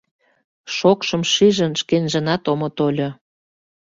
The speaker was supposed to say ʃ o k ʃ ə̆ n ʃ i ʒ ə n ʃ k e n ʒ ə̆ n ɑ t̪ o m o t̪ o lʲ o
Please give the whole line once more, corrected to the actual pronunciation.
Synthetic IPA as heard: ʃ o k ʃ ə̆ m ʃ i ʒ ə n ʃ k e n ʒ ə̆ n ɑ t̪ o m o t̪ o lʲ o

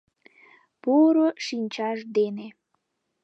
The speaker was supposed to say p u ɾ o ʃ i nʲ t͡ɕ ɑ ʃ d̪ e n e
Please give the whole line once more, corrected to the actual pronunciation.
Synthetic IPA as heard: p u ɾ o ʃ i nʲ t͡ɕ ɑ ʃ d̪ e n e

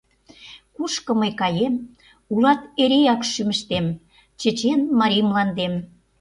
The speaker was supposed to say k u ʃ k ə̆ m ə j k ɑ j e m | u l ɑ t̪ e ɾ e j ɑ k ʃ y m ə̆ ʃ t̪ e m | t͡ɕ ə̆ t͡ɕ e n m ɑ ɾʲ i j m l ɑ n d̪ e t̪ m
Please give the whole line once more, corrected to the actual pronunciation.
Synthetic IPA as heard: k u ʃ k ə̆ m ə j k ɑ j e m | u l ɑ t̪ e ɾ e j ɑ k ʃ y m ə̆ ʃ t̪ e m | t͡ɕ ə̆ t͡ɕ e n m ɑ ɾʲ i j m l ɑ n d̪ e m

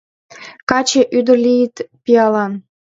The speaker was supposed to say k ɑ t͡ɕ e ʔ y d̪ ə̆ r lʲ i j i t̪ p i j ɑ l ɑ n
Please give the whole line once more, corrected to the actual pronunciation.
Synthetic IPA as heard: k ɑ t͡ɕ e ʔ y d̪ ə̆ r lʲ i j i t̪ p i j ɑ l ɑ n

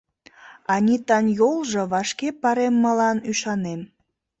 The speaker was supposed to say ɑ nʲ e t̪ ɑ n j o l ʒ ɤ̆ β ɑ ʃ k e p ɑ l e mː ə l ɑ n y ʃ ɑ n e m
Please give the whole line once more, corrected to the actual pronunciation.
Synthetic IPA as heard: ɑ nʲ i t̪ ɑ n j o l ʒ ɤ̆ β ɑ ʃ k e p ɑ ɾ e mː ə l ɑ n y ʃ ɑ n e m

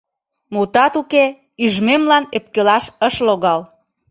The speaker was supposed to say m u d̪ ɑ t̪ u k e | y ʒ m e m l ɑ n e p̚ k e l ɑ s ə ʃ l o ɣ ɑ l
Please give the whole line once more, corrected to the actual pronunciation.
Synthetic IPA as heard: m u t̪ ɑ t̪ u k e | y ʒ m e m l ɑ n e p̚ k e l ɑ ʃ ə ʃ l o ɣ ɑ l

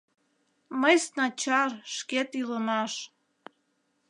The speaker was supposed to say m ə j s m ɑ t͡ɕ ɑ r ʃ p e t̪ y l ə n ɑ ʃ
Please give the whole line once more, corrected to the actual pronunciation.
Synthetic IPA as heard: m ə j s n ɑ t͡ɕ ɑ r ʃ k e t̪ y l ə m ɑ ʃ

